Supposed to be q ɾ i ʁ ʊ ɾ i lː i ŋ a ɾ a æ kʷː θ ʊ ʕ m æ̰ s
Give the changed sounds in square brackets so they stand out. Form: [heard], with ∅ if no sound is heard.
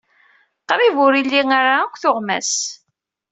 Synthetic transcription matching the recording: q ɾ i [v] ʊ ɾ i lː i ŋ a ɾ a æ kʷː θ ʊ [ʁ] m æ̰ s